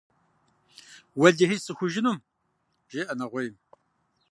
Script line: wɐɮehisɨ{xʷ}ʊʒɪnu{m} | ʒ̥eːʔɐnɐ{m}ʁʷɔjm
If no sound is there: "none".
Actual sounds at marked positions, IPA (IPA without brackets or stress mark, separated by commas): xʷ, m, none